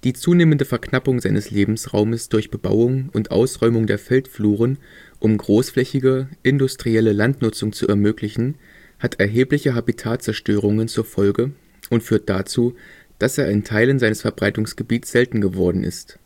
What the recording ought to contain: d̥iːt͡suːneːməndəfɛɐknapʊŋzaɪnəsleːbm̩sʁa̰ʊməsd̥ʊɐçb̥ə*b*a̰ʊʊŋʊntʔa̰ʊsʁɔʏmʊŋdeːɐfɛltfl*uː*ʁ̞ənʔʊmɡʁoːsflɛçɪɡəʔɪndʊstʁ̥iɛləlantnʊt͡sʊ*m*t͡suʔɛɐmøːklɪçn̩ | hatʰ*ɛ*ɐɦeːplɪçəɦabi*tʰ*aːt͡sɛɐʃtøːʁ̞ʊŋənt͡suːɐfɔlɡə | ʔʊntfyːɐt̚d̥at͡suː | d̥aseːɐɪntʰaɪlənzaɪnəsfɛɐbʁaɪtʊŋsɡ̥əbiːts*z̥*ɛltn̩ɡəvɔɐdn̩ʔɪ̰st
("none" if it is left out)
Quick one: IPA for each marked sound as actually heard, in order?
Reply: b, uː, ŋ, ɛ, tʰ, z̥

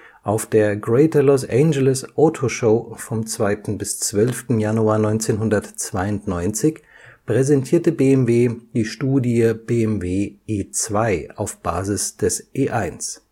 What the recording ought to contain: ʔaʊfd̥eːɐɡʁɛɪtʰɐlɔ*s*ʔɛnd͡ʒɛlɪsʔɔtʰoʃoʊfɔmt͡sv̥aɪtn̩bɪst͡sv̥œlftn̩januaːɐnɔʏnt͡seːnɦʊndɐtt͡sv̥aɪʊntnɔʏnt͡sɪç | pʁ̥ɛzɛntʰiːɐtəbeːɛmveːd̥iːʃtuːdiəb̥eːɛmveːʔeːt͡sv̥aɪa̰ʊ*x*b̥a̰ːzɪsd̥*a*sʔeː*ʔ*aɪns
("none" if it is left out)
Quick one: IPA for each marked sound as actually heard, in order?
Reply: s, f, ɛ, ʔ

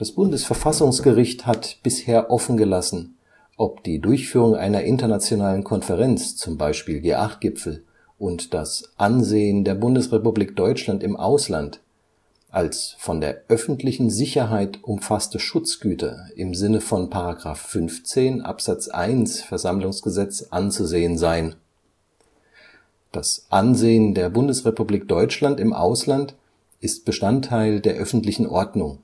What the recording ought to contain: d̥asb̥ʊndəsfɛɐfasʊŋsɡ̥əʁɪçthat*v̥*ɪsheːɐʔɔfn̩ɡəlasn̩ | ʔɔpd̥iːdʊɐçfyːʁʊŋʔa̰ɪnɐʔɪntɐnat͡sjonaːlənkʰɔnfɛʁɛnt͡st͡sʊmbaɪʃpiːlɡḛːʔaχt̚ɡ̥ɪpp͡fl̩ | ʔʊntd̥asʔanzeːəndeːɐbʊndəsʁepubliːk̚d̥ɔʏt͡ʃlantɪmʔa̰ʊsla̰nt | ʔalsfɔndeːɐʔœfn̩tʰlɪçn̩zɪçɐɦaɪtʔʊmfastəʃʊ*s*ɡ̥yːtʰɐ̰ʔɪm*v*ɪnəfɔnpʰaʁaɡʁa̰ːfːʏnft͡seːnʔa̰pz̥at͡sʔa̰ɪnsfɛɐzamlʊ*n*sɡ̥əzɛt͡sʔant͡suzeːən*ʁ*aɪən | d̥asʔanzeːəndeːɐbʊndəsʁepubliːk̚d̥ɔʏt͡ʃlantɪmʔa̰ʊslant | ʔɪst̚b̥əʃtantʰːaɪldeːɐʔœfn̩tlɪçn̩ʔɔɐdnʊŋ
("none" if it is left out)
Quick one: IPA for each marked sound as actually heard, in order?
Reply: b̥, t͡s, z, ŋ, z

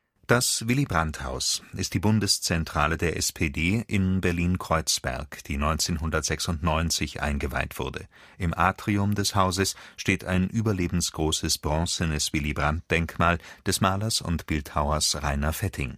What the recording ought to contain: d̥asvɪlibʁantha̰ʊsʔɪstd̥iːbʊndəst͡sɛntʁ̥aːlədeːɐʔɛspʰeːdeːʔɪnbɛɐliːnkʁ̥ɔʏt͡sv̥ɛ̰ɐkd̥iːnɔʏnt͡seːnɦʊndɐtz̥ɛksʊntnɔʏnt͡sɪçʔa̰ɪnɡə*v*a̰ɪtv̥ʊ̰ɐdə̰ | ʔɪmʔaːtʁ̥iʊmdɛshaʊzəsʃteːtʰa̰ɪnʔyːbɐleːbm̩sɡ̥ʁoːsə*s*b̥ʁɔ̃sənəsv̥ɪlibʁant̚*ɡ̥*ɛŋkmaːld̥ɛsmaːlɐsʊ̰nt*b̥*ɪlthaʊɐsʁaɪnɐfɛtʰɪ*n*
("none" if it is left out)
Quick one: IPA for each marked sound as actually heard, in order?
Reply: v, s, d̥, b̥, ŋ

